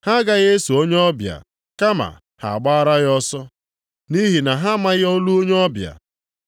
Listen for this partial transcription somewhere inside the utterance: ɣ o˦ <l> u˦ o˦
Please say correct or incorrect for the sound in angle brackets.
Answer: correct